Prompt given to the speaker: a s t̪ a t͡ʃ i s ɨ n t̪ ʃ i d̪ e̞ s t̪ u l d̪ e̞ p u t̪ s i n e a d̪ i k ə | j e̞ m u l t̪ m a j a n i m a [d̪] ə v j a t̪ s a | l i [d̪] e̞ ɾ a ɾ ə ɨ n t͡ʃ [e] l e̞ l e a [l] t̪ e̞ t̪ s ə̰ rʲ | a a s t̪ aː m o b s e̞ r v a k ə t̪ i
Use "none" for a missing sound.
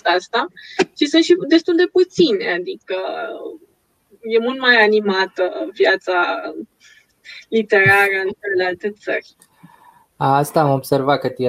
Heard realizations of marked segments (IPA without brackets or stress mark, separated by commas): t̪, t̪, e, l